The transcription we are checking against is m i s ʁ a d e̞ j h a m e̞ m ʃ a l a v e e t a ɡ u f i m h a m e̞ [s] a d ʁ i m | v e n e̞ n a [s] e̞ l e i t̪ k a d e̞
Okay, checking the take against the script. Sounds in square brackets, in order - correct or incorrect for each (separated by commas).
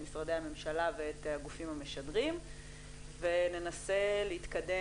incorrect, correct